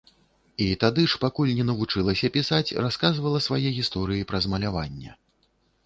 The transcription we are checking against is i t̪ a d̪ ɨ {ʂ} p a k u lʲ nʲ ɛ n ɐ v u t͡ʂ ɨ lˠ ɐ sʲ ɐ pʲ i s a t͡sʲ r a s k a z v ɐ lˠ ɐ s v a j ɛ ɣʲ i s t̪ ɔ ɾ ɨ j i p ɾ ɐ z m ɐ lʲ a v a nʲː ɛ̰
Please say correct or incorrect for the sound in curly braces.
correct